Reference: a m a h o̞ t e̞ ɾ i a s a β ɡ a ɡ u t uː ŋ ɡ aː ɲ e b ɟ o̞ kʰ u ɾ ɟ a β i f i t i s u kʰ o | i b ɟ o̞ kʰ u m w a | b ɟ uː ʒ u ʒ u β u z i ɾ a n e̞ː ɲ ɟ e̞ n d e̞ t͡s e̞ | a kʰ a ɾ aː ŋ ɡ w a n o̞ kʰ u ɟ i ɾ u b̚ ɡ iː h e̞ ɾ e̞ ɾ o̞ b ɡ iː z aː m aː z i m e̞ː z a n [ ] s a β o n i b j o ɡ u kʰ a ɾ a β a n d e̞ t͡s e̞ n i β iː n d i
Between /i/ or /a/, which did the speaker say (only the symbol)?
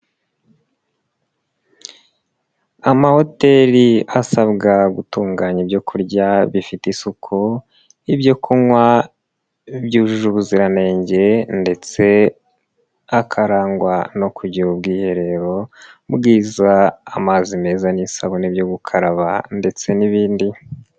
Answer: i